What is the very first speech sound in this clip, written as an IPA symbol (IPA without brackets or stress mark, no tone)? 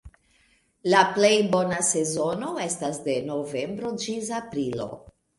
l